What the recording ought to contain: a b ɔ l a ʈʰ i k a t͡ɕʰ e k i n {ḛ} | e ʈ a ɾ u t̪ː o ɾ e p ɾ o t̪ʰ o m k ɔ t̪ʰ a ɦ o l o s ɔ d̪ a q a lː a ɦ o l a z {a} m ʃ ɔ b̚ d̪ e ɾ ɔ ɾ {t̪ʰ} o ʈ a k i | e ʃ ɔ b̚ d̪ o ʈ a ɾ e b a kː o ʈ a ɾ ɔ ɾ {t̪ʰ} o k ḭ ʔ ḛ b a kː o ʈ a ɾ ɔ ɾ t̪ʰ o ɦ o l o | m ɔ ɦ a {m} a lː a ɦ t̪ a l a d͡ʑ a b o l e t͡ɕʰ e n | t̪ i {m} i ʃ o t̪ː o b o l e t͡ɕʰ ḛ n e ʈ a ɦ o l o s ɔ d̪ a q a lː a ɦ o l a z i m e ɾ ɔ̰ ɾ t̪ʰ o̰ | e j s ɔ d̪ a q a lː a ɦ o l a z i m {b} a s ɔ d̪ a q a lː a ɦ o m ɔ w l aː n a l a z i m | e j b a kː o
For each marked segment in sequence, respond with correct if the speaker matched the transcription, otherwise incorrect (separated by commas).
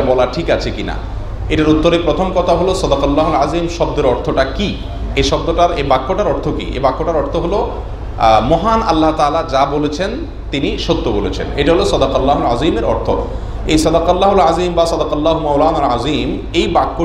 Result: incorrect, incorrect, correct, correct, incorrect, incorrect, correct